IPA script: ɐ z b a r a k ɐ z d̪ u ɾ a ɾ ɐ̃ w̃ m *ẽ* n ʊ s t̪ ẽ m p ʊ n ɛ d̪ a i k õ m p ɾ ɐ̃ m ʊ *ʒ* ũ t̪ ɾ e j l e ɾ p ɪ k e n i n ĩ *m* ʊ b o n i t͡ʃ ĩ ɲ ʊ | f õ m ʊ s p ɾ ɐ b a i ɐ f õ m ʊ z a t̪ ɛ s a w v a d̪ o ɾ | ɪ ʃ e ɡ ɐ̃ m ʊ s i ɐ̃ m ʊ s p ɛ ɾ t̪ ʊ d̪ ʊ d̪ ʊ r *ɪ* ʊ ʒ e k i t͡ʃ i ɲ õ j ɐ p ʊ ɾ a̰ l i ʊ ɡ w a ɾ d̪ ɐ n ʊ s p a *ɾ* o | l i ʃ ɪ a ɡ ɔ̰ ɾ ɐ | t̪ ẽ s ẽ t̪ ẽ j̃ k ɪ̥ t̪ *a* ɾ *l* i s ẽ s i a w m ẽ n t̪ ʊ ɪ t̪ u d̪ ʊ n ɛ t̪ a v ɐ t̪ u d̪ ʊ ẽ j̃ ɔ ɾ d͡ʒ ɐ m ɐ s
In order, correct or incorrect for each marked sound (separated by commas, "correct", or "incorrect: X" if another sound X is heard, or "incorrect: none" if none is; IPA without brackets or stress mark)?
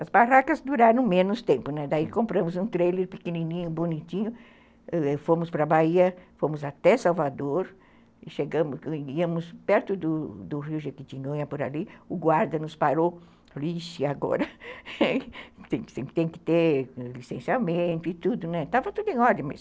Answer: correct, incorrect: z, incorrect: ɲ, incorrect: i, correct, incorrect: e, correct